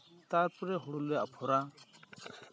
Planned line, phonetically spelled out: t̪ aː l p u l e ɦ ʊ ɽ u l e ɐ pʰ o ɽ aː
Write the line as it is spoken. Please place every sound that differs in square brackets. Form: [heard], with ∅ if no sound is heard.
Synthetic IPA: t̪ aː [ɾ] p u [ɾ] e ɦ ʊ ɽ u l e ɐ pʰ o [ɾ] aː